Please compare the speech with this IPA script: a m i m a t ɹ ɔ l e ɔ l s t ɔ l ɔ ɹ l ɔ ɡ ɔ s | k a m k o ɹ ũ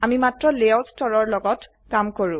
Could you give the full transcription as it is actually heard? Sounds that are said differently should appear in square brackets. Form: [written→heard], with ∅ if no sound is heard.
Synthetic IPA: a m i m a t ɹ ɔ l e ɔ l s t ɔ [l→ɹ] ɔ ɹ l ɔ ɡ ɔ [s→t] | k a m k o ɹ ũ